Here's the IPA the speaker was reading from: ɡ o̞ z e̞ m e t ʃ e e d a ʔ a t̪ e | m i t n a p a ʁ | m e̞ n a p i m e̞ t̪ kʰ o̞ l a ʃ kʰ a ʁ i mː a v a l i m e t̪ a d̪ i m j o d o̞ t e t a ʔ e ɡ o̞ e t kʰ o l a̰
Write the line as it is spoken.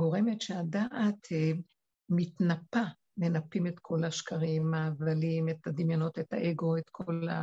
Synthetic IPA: ɡ o̞ ʁ e̞ m e t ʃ e a d a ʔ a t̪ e | m i t n a p a | m e̞ n a p i m e̞ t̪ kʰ o̞ l a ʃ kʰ a ʁ i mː a v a l i m e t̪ a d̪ i m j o n o̞ t e t a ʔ e ɡ o̞ e t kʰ o l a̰